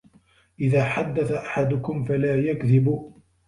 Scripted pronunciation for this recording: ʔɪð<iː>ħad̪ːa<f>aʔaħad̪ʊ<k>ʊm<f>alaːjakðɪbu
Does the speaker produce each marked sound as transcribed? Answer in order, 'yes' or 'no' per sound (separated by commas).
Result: no, no, yes, yes